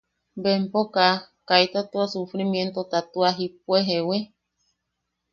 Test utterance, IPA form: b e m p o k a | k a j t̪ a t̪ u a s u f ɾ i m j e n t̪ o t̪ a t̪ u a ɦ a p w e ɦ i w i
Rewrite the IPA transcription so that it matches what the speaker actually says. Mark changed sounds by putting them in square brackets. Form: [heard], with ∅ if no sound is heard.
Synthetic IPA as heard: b e m p o k a | k a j t̪ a t̪ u a s u f ɾ i m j e n t̪ o t̪ a t̪ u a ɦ [i] p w e ɦ [e] w [e]